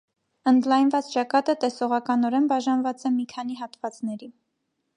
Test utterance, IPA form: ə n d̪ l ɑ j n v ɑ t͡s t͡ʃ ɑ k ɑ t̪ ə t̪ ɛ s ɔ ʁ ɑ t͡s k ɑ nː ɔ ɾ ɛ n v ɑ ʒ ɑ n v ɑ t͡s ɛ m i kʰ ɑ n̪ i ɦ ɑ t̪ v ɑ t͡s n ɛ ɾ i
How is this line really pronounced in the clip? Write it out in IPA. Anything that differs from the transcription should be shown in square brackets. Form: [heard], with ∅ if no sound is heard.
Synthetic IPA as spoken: ə n d̪ l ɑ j n v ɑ t͡s t͡ʃ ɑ k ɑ t̪ ə t̪ ɛ s ɔ ʁ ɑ [∅] k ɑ [n] ɔ ɾ ɛ n [b] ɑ ʒ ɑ n v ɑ t͡s ɛ m i kʰ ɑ n̪ i ɦ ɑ t̪ v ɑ t͡s n ɛ ɾ i